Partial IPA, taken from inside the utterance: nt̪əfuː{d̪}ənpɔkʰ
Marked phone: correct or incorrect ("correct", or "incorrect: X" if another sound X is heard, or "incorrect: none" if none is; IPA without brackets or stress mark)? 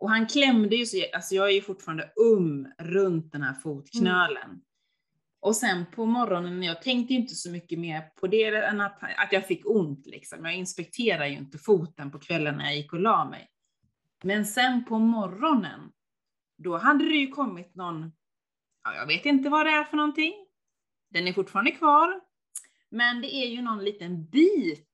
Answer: incorrect: t̪